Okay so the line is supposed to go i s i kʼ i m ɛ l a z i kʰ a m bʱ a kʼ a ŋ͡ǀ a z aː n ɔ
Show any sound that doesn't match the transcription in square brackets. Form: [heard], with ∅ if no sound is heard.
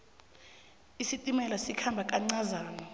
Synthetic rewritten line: i s i [tʼ] i m ɛ l a [s] i kʰ a m bʱ a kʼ a ŋ͡ǀ a z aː n ɔ